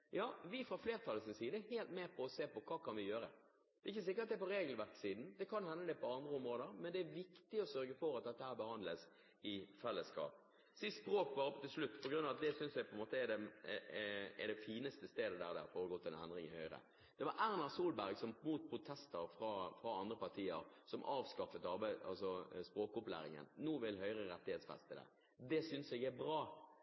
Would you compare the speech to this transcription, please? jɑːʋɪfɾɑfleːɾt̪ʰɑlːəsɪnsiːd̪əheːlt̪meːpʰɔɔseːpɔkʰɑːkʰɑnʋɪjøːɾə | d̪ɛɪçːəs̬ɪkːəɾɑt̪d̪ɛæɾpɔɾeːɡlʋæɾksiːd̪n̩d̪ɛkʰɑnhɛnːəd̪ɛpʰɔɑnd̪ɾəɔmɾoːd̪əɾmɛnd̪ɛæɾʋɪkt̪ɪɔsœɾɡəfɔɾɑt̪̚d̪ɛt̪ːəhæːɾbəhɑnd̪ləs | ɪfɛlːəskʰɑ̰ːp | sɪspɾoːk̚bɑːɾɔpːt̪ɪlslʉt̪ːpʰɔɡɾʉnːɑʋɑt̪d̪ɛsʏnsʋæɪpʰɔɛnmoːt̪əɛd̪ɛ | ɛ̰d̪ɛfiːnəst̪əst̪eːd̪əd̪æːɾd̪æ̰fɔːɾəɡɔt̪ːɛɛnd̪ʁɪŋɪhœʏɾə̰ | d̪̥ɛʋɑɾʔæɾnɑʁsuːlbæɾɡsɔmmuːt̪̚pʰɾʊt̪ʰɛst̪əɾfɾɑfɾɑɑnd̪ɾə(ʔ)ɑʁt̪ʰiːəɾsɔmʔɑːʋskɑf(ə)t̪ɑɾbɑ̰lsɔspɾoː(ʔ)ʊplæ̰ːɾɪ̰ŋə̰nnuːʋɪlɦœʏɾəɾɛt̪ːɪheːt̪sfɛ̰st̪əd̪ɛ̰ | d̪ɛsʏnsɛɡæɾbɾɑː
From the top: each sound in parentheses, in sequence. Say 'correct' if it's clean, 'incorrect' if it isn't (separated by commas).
incorrect, correct, incorrect